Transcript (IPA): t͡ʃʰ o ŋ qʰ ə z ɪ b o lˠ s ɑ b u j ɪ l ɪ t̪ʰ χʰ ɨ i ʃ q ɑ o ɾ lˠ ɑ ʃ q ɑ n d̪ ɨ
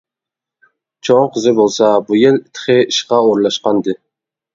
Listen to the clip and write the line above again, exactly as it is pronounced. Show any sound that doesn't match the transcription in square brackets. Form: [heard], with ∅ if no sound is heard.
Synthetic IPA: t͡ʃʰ o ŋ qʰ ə z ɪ b o lˠ s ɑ b u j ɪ l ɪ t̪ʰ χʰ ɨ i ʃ q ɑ o ɾ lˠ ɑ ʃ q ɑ n d̪ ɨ